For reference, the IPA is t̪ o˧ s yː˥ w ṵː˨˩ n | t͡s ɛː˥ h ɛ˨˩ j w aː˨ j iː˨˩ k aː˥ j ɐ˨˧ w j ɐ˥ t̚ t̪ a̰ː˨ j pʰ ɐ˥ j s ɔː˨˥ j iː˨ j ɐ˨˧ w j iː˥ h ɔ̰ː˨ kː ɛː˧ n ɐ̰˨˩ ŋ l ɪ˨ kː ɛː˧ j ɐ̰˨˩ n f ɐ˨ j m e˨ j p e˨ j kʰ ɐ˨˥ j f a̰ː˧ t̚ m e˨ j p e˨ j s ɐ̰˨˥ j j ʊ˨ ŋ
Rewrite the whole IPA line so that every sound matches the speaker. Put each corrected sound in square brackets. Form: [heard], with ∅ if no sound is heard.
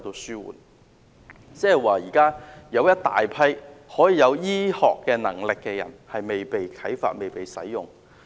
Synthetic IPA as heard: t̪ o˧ s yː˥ w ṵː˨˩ n | t͡s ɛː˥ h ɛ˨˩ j w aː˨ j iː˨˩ k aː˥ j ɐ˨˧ w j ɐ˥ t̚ t̪ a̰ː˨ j pʰ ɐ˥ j [h] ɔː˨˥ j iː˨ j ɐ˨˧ w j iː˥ h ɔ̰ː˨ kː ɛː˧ n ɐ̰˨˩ ŋ l ɪ˨ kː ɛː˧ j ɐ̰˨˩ n [h] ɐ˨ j m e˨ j p e˨ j kʰ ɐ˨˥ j f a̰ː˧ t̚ m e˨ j p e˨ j s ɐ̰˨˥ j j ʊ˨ ŋ